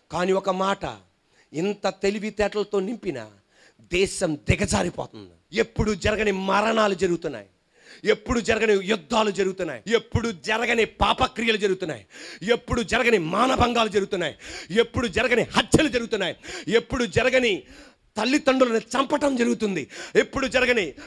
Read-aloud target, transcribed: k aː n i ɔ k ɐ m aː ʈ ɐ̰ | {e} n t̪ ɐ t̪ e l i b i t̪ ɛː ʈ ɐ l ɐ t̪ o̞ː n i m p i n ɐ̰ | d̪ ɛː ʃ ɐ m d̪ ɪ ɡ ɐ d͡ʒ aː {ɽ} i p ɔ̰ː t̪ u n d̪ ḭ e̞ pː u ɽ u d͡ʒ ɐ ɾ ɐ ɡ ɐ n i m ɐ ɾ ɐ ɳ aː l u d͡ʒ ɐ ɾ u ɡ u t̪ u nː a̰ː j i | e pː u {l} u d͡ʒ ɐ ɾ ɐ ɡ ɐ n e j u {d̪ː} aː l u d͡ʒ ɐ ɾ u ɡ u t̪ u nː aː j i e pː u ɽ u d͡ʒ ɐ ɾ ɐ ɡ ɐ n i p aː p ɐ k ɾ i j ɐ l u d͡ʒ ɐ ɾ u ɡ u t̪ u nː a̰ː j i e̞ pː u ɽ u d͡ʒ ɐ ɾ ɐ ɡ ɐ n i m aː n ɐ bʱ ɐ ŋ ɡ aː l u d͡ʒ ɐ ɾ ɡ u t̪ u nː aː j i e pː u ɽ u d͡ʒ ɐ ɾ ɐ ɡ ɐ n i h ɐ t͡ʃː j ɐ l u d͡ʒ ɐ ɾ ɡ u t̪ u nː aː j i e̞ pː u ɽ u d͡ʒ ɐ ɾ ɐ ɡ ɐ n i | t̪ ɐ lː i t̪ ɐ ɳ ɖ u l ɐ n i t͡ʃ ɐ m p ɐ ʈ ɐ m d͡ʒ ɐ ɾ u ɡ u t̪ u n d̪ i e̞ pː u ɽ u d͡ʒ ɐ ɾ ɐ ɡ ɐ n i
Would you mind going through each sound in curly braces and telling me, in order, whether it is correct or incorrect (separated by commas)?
incorrect, incorrect, incorrect, correct